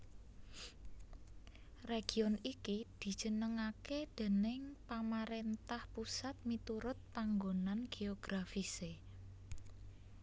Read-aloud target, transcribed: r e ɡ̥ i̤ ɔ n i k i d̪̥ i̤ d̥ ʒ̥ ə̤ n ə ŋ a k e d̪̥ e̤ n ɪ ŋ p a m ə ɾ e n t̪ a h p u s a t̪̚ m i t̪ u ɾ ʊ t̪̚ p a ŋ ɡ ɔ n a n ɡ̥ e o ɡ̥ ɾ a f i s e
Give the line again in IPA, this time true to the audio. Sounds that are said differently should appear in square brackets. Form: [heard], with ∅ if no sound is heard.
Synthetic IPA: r e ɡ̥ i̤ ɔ n i k i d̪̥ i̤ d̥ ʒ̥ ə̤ n ə ŋ a k e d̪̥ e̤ n ɪ ŋ p a m [a] ɾ e n t̪ a h p u s a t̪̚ m i t̪ u ɾ ʊ t̪̚ p a ŋ ɡ [o] n a n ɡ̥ e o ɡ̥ ɾ a f i s e